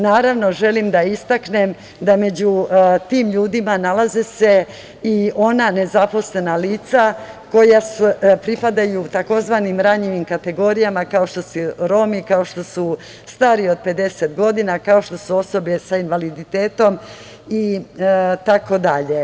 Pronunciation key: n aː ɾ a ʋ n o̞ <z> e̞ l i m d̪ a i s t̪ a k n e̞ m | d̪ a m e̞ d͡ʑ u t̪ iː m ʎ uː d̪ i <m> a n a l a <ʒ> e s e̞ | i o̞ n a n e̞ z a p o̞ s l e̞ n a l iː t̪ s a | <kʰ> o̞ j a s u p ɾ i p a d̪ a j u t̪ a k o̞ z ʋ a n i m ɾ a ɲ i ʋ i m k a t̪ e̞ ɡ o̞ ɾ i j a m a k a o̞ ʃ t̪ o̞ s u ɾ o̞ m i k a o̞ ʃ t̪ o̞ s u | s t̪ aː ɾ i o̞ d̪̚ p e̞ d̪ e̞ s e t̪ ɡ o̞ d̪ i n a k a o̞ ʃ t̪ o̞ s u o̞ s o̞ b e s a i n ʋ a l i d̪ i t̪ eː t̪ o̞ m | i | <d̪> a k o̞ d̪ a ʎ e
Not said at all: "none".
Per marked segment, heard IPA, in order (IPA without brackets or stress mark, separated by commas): ʒ, m, z, k, t̪